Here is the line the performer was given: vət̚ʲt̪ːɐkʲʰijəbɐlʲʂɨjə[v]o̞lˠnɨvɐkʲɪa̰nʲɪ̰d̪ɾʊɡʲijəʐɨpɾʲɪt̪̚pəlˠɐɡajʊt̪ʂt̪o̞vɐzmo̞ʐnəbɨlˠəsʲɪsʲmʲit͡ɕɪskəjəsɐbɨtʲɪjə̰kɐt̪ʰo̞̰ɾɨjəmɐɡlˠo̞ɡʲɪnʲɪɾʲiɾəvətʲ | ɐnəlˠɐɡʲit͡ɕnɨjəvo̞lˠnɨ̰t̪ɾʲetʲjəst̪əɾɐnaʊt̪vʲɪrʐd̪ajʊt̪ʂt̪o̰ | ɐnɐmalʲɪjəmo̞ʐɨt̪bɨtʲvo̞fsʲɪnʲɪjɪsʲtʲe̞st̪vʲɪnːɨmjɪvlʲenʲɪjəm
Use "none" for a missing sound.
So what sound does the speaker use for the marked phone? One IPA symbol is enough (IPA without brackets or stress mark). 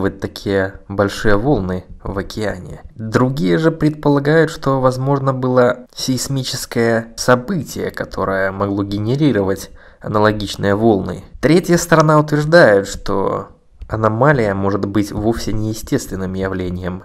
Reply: v